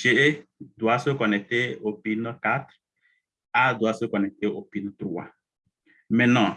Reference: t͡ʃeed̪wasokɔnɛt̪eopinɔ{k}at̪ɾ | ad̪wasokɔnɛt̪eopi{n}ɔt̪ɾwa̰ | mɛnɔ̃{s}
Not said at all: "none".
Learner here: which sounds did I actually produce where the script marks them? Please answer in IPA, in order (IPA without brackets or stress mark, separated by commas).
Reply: k, n, none